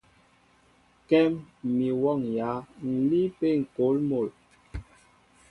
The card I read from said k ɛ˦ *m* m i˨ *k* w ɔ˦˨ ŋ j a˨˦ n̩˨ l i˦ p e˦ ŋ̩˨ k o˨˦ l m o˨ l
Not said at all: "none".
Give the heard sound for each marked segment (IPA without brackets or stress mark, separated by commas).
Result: m, none